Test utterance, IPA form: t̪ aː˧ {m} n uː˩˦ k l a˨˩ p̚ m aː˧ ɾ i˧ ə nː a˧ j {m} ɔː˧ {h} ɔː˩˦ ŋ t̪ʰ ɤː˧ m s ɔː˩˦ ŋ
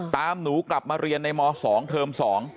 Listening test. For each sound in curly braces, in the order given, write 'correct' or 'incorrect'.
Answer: correct, correct, incorrect: s

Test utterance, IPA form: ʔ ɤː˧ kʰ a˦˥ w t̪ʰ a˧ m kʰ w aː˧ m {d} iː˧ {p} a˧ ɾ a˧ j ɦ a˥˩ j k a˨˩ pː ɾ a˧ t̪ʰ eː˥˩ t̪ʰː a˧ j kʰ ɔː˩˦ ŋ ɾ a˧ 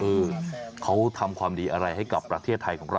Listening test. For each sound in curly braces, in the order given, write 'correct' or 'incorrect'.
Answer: correct, incorrect: ʔ

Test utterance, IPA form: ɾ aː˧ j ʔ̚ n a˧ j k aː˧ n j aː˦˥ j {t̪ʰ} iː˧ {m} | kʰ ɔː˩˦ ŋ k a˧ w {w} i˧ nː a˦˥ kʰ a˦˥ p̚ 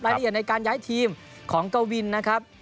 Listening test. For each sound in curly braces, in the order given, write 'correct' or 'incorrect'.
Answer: correct, correct, correct

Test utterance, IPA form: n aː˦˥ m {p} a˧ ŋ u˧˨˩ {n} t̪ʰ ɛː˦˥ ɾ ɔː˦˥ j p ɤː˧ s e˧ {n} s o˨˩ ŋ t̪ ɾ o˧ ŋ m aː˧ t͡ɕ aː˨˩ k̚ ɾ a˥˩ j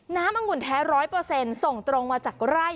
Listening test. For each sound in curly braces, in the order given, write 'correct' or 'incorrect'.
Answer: incorrect: ʔ, correct, correct

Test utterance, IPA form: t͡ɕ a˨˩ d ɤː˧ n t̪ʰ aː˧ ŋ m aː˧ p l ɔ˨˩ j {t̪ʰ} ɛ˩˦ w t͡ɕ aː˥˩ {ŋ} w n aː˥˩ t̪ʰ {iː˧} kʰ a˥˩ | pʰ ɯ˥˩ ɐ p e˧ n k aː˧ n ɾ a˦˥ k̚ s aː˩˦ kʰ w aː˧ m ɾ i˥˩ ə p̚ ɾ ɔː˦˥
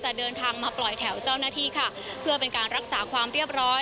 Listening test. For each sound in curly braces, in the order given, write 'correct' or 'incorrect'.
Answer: correct, incorrect: none, incorrect: iː˥˩

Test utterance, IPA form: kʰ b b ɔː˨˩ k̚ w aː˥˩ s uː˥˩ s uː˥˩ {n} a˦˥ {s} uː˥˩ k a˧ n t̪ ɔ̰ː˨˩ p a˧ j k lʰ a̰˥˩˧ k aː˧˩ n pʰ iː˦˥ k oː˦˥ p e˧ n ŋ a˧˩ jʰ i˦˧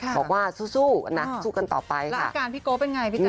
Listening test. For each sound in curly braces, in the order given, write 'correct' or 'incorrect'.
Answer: correct, correct

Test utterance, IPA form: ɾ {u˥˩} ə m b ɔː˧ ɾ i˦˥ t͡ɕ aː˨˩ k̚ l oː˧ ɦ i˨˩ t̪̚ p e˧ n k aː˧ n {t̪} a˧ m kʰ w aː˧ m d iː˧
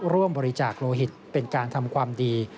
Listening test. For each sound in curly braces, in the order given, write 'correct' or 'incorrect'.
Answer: correct, incorrect: t̪ʰ

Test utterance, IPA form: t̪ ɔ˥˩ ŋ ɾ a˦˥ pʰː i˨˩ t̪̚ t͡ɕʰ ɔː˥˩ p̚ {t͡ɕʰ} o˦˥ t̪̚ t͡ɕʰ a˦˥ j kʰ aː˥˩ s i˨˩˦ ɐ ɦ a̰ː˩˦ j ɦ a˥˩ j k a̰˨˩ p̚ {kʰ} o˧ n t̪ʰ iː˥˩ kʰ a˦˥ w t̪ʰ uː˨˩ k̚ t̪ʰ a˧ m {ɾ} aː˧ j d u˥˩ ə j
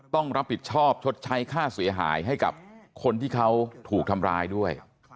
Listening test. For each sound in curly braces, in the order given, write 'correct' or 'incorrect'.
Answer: correct, correct, correct

